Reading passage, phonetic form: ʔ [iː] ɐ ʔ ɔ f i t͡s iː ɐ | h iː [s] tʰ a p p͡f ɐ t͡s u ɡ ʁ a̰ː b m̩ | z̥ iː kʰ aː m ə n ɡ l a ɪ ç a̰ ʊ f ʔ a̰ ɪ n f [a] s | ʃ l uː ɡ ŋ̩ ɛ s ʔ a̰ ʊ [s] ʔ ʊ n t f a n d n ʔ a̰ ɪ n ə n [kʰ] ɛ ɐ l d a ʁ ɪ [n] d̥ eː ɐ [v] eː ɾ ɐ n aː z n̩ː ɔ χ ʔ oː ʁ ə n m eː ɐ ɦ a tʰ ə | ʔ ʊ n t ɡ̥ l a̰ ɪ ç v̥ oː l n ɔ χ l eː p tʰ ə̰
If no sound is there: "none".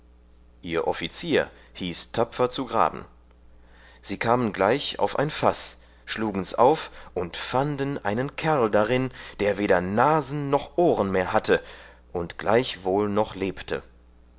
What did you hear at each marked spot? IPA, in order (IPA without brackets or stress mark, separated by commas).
iː, s, a, f, kʰ, n, v